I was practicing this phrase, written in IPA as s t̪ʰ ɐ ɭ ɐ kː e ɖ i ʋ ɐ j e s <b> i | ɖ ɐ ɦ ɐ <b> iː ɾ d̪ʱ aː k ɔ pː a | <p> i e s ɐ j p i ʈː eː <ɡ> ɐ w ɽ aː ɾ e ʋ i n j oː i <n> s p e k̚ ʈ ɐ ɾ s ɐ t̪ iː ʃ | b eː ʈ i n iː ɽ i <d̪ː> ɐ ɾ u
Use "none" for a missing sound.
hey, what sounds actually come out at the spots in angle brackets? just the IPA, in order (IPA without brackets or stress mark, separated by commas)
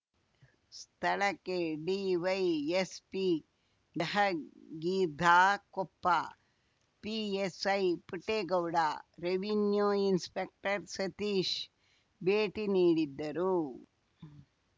p, ɡ, p, ɡ, n, d̪ː